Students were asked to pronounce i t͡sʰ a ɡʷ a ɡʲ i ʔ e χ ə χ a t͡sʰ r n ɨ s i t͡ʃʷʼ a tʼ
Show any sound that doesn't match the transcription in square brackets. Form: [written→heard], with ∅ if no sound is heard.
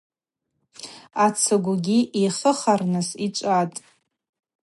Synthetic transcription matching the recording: [i→a] t͡sʰ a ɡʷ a ɡʲ i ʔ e χ ə χ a [t͡sʰ→∅] r n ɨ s i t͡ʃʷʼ a tʼ